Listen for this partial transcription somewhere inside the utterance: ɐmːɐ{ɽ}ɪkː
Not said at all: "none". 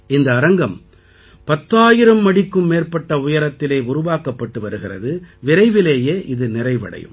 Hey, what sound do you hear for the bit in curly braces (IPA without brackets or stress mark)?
ɽ